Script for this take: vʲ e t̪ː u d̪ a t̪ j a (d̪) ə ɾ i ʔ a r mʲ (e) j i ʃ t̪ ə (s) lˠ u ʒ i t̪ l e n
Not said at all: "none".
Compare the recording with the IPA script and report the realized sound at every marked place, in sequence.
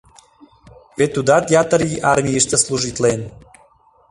t̪, i, s

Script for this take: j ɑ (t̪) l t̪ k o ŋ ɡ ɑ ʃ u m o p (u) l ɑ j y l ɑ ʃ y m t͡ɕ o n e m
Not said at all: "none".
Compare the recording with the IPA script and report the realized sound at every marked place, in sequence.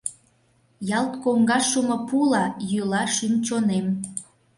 none, u

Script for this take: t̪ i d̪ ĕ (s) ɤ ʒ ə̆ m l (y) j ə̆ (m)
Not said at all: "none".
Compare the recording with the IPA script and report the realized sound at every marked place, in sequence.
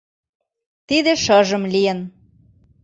ʃ, i, n

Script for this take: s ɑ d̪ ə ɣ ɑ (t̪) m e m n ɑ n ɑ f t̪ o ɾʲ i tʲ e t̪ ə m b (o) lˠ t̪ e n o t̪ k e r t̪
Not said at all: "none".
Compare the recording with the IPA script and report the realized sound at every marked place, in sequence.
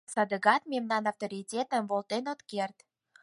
t̪, o

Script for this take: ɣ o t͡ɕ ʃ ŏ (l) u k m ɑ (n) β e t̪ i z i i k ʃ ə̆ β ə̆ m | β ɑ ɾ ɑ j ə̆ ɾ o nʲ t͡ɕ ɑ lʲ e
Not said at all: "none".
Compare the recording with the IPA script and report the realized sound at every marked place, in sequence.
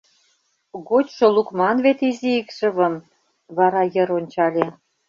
l, n

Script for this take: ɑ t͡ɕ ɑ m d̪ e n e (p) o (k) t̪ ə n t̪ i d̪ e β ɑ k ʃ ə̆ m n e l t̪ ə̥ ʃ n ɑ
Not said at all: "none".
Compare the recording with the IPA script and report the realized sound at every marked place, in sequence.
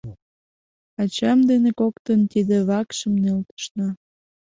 k, k

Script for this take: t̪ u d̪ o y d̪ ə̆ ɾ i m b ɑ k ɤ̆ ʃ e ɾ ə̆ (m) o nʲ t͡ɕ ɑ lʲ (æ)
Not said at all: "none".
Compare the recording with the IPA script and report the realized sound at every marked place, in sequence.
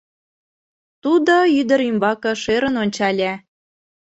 n, æ

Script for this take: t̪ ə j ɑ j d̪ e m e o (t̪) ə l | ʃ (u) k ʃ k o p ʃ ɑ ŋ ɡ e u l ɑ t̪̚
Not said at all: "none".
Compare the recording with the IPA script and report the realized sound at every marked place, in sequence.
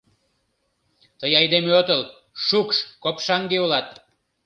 t̪, u

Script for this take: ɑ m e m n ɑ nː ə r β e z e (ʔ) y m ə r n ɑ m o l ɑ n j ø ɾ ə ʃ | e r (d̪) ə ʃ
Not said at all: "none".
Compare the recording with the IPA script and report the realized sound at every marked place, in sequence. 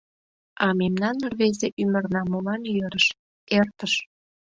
ʔ, t̪

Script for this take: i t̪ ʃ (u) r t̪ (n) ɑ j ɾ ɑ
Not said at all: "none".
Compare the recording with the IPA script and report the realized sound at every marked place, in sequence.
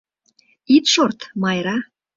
o, m

